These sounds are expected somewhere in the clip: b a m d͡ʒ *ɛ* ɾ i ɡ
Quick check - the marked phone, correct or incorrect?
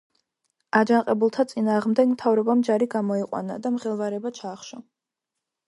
incorrect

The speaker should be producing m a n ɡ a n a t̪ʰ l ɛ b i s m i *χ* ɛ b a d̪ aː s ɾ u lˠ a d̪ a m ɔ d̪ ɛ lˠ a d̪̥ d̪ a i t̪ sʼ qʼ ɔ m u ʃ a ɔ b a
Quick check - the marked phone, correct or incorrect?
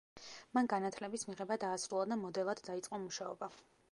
incorrect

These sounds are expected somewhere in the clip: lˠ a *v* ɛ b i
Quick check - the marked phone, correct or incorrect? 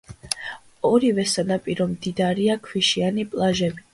incorrect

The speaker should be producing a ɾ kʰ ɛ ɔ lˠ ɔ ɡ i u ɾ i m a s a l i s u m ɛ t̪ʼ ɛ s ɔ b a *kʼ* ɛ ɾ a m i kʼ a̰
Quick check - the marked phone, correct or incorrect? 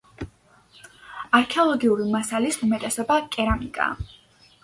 correct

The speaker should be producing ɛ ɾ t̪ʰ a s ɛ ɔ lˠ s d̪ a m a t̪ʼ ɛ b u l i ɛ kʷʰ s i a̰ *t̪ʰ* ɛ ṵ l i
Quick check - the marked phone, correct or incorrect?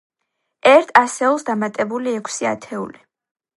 correct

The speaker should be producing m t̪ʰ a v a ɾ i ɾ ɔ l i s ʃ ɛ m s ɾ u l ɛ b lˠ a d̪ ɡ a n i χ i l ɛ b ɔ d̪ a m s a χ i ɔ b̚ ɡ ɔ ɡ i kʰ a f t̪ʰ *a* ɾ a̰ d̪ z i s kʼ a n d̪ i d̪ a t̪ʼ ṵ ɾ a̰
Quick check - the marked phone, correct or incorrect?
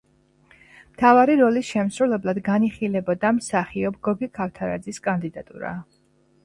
correct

